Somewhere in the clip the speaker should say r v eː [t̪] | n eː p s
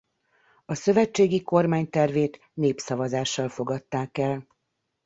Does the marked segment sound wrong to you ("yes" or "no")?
no